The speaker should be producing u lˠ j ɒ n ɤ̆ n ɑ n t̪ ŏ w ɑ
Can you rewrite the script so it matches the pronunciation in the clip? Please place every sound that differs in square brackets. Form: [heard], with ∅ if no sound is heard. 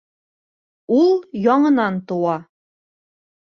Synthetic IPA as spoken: u lˠ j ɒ [ɴ] ɤ̆ n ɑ n t̪ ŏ w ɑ